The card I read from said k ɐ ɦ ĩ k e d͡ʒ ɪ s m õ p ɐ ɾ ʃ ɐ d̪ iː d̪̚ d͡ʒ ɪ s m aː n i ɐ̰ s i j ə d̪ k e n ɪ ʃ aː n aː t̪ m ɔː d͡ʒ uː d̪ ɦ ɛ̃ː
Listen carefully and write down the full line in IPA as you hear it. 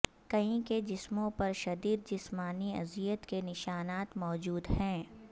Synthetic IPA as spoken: k ɐ ɦ ĩ k e d͡ʒ ɪ s m õ p ɐ ɾ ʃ ɐ d̪ iː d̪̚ d͡ʒ ɪ s m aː n i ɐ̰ z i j ə t̪ k e n ɪ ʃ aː n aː t̪ m ɔː d͡ʒ uː d̪ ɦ ɛ̃ː